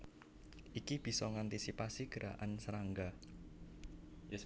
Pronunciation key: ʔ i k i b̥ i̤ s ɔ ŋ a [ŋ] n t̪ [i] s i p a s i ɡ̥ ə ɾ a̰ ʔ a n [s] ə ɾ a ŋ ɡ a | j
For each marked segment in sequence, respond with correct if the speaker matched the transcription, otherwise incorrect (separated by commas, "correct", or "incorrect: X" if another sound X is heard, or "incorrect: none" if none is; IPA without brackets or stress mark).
incorrect: none, correct, correct